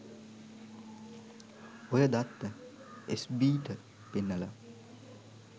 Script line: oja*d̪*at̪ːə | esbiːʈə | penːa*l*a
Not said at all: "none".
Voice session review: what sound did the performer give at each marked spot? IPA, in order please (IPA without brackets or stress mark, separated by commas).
d̪, l